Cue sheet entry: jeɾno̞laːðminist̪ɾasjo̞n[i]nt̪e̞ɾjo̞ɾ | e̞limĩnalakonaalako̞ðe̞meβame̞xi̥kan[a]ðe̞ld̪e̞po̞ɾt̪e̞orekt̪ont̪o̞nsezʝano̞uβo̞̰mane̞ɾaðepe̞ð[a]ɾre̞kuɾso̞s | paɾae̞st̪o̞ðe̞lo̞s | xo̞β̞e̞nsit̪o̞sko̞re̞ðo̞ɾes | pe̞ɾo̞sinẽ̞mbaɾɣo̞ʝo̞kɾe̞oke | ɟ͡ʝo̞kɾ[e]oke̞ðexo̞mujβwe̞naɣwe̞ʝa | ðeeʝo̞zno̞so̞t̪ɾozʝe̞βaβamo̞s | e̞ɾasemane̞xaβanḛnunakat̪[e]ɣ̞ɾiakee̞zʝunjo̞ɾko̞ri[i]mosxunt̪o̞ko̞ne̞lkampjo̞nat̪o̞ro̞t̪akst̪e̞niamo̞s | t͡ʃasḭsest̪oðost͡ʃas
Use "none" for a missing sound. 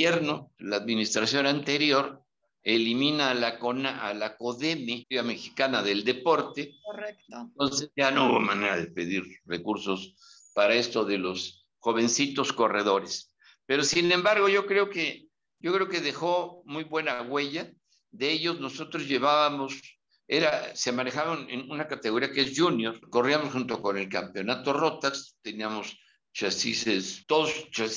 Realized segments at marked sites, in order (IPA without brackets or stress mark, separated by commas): a, a, i, e, e, a